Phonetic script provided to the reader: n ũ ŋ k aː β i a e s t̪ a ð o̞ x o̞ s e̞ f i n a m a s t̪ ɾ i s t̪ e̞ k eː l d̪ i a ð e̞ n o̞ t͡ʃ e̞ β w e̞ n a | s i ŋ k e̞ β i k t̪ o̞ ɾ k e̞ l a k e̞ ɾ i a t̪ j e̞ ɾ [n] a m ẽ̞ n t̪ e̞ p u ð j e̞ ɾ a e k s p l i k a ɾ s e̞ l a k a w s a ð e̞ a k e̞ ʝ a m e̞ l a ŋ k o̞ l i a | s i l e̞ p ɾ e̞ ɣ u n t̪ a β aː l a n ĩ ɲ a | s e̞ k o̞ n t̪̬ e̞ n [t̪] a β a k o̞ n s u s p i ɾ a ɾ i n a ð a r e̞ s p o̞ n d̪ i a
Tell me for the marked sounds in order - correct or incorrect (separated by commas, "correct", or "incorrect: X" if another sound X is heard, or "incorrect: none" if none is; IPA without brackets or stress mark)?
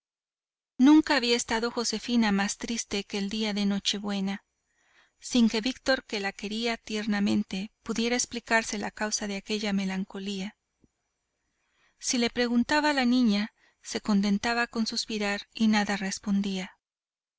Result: correct, correct